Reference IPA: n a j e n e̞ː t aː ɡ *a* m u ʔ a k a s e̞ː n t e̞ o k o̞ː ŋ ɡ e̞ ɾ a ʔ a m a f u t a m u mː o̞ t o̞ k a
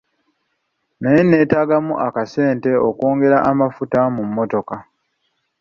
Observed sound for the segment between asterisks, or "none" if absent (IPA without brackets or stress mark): a